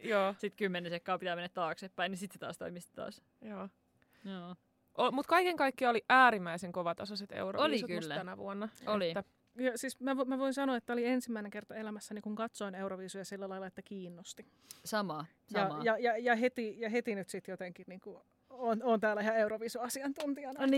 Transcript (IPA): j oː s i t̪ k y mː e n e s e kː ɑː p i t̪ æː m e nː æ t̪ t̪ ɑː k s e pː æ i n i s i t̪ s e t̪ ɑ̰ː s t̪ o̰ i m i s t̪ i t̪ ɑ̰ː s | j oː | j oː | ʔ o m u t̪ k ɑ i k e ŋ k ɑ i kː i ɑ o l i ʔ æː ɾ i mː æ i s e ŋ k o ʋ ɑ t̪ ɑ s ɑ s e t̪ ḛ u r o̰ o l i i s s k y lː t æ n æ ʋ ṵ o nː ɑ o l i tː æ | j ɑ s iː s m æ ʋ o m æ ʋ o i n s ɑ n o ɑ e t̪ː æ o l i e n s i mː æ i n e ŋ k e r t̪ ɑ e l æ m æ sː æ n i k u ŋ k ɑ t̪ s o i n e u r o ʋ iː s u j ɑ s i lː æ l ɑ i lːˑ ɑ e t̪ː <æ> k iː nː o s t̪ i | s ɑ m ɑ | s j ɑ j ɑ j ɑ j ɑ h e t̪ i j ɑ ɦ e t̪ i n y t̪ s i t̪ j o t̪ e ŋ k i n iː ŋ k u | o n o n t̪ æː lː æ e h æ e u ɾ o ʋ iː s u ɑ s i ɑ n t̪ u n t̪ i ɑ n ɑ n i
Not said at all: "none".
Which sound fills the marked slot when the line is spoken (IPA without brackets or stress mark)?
æ